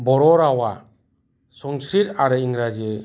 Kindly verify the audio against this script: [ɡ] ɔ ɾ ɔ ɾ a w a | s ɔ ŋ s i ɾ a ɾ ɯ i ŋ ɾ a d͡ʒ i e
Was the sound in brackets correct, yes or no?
no